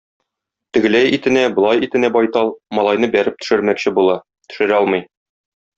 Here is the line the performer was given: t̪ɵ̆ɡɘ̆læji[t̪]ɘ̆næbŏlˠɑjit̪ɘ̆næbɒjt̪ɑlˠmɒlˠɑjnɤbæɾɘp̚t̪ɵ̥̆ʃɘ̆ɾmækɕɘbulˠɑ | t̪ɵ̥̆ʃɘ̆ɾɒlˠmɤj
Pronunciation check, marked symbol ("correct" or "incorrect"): correct